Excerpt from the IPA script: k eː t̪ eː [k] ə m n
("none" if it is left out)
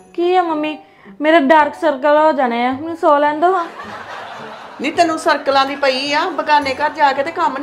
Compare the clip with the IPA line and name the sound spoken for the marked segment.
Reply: k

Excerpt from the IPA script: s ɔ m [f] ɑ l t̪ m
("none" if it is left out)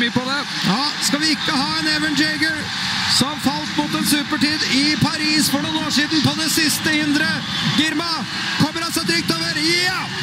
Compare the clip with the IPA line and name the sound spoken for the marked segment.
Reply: f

